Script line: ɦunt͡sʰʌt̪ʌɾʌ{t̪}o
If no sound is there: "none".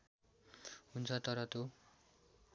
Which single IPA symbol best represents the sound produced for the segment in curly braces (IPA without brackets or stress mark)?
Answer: t̪